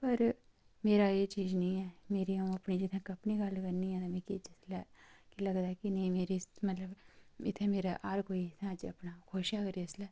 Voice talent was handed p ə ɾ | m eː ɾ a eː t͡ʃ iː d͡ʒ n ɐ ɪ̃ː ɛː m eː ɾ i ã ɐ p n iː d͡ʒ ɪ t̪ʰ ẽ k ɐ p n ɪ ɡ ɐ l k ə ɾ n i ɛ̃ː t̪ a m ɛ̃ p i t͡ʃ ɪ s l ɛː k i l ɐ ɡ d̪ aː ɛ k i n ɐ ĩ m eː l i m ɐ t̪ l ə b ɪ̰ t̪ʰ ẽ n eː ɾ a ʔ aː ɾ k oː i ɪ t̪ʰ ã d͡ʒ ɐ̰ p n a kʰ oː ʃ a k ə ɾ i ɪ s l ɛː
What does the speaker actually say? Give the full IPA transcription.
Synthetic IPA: p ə ɾ | m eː ɾ a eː t͡ʃ iː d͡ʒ n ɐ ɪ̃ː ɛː m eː ɾ i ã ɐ p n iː d͡ʒ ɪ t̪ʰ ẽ k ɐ p n i ɡ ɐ l k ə ɾ n i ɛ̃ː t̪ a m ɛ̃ k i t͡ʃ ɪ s l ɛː k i l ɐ ɡ d̪ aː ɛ k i n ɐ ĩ m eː ɾ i m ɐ t̪ l ə b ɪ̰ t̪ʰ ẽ m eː ɾ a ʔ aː ɾ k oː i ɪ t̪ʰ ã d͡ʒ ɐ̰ p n a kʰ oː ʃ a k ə ɾ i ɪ s l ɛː